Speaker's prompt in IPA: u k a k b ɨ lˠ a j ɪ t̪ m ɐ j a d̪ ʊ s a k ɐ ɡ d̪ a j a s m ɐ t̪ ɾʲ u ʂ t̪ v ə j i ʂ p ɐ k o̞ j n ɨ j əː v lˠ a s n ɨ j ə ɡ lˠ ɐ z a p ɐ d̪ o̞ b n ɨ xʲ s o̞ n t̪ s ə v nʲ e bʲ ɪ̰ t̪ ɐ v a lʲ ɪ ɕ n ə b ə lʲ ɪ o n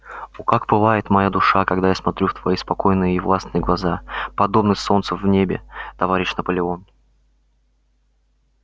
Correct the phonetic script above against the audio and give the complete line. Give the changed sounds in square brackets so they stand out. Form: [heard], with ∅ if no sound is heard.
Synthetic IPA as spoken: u k a k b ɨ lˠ a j ɪ t̪ m ɐ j a d̪ ʊ [ʂ] a k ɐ ɡ d̪ a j a s m ɐ t̪ ɾʲ u [f] t̪ v [ɐ] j i [s] p ɐ k o̞ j n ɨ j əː v lˠ a s n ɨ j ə ɡ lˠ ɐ z a p ɐ d̪ o̞ b n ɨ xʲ s o̞ n t̪ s ə v nʲ e bʲ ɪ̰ t̪ ɐ v a [ɾʲ] ɪ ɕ n ə [p] ə lʲ ɪ o n

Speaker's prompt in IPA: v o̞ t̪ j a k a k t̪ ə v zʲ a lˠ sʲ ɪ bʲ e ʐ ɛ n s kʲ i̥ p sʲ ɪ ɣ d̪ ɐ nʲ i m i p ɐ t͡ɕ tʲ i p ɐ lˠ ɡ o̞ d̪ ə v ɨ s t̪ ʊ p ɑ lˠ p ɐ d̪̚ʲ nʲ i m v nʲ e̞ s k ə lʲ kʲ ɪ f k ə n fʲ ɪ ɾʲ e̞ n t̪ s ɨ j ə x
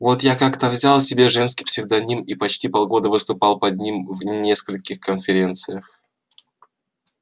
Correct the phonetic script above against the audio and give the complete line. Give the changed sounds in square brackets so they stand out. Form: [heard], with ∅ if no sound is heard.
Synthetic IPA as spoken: v o̞ t̪ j a k a k t̪ ə v zʲ a lˠ sʲ ɪ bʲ e ʐ ɛ n s kʲ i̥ p sʲ ɪ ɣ d̪ ɐ nʲ i m i p ɐ t͡ɕ tʲ i p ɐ lˠ ɡ o̞ d̪ ə v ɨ s t̪ ʊ p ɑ lˠ p ɐ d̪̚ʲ nʲ i m v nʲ e̞ s k ə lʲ kʲ ɪ [x] k ə n fʲ ɪ ɾʲ e̞ n t̪ s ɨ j ə x

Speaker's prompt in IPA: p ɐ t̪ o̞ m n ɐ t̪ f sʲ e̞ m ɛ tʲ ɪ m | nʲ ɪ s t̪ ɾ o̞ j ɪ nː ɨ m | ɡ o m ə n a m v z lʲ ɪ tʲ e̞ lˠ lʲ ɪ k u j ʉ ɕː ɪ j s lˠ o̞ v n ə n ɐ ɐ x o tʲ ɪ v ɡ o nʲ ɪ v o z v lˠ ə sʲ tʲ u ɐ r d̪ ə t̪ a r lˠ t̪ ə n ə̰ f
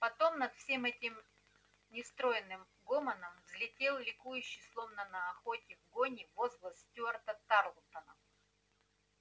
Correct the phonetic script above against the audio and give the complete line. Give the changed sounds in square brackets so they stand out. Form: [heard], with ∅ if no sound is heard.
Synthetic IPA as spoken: p ɐ t̪ o̞ m n ɐ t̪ f sʲ e̞ m ɛ tʲ ɪ m | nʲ ɪ s t̪ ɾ o̞ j ɪ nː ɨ m | ɡ o m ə n [ə] m v z lʲ ɪ tʲ e̞ lˠ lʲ ɪ k u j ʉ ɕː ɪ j s lˠ o̞ v n ə n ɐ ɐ x o tʲ ɪ v ɡ o nʲ ɪ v o z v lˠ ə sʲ tʲ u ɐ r [t̪] ə t̪ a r lˠ t̪ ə n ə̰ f

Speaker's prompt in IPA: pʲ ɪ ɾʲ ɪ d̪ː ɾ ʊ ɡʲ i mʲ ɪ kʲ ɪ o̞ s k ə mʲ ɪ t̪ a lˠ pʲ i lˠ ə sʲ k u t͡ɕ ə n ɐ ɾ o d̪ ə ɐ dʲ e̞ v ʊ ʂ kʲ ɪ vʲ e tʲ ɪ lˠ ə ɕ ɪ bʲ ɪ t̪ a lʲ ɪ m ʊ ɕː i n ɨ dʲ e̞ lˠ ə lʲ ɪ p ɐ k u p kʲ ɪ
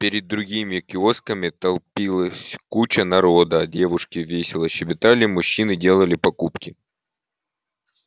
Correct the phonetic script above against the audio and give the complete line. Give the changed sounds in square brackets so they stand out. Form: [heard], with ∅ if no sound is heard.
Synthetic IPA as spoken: pʲ ɪ ɾʲ ɪ d̪ː ɾ ʊ ɡʲ i mʲ ɪ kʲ ɪ o̞ s k ə mʲ ɪ t̪ [ɐ] lˠ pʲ i lˠ ə sʲ k u t͡ɕ ə n ɐ ɾ o d̪ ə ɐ dʲ e̞ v ʊ ʂ kʲ ɪ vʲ e [sʲ] ɪ lˠ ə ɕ ɪ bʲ ɪ t̪ a lʲ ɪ m ʊ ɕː i n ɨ dʲ e̞ lˠ ə lʲ ɪ p ɐ k u p kʲ ɪ

